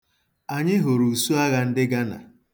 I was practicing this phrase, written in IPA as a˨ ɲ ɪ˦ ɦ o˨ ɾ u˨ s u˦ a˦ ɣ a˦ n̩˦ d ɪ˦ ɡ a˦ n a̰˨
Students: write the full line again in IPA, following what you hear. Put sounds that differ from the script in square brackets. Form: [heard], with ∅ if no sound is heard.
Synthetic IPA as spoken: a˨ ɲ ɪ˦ ɦ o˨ ɾ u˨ s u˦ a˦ ɣ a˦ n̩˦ d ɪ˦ ɡ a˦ n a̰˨